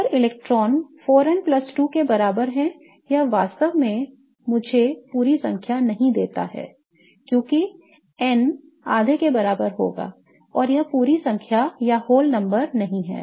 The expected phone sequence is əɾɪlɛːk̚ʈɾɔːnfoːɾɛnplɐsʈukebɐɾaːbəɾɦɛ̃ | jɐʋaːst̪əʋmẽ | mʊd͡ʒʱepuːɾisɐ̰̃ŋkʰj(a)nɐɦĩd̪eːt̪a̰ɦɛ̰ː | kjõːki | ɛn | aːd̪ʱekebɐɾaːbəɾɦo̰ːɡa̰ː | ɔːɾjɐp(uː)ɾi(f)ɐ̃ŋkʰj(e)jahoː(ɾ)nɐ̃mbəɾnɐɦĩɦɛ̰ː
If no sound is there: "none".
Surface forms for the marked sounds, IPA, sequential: a, uː, s, a, l

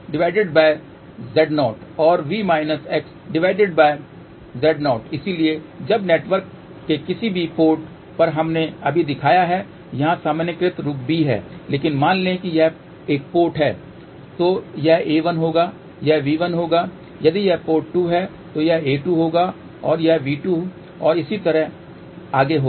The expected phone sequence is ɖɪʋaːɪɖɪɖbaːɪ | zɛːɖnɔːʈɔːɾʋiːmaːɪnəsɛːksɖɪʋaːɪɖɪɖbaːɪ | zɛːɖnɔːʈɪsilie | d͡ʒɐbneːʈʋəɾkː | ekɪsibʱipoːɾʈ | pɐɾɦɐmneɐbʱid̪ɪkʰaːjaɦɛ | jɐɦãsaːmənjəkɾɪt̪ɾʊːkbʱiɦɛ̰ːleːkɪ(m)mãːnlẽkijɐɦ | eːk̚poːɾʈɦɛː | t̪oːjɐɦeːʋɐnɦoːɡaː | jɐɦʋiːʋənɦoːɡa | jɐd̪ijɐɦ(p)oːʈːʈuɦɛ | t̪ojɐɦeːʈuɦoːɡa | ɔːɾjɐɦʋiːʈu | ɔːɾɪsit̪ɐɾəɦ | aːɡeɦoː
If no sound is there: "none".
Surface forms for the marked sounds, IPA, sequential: n, p

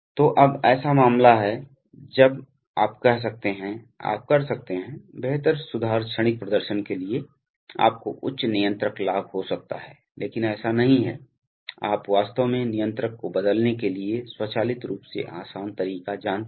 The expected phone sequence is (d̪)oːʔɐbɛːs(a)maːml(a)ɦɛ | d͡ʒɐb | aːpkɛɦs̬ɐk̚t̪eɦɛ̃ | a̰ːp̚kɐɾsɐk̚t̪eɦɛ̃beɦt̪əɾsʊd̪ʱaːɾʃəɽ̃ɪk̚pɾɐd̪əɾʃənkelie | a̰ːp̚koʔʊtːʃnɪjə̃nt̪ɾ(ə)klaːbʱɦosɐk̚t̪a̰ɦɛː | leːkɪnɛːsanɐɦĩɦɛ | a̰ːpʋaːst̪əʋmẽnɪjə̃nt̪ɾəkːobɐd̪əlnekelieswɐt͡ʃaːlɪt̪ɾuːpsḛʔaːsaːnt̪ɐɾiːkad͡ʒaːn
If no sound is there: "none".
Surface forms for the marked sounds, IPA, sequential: t̪, a, a, ə

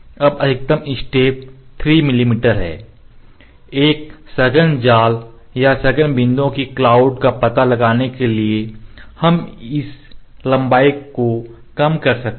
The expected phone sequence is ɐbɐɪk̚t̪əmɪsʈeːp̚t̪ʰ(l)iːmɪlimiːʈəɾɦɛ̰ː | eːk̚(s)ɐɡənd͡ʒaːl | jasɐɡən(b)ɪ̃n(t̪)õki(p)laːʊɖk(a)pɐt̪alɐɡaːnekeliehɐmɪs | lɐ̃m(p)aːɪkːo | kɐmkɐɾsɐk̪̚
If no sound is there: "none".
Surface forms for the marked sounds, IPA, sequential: ɾ, s, b, d̪, k, a, b

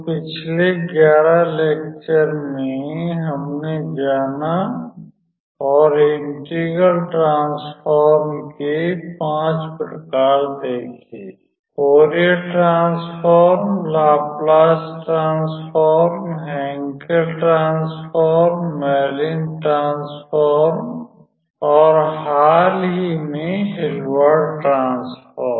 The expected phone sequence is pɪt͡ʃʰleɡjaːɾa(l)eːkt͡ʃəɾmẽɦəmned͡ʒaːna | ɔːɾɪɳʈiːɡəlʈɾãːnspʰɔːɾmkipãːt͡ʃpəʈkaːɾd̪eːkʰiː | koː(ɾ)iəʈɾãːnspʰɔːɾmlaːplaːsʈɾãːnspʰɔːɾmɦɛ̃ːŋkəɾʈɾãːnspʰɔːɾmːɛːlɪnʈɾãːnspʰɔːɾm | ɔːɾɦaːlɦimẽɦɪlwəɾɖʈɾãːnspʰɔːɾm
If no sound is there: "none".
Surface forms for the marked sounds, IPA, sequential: l, ɾ

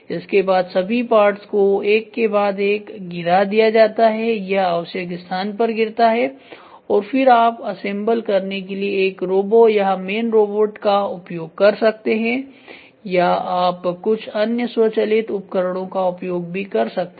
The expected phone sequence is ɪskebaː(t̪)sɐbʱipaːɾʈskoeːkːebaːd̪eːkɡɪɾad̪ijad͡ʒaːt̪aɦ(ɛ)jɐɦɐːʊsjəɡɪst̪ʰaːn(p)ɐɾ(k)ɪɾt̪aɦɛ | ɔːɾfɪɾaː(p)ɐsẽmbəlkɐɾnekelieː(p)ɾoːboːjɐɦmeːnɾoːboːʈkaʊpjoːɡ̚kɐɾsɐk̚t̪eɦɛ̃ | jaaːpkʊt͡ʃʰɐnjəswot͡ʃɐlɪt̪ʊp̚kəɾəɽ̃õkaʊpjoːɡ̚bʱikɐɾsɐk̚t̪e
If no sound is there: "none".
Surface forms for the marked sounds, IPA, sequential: d̪, ɛ, p, ɡ, p, k

